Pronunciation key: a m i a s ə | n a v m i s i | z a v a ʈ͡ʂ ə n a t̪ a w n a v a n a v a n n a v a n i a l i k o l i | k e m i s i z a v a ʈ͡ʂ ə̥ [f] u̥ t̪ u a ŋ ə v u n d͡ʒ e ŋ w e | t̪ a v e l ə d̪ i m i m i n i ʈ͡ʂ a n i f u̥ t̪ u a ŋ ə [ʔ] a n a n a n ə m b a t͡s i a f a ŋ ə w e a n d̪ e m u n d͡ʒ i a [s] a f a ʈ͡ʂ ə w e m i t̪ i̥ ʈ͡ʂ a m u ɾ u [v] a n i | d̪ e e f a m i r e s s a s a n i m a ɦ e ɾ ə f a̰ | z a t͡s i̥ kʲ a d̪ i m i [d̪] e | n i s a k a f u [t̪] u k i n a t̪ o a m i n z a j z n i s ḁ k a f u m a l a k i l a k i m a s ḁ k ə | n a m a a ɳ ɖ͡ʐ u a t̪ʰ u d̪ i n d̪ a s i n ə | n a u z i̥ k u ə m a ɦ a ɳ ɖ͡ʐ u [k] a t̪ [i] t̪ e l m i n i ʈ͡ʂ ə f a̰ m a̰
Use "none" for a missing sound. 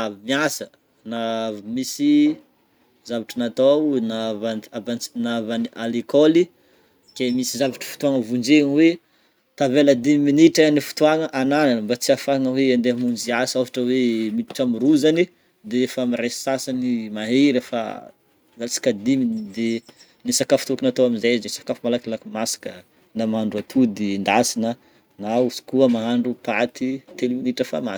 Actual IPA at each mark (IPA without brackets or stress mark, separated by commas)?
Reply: f, ʔ, s, z, d̪, t̪, p, i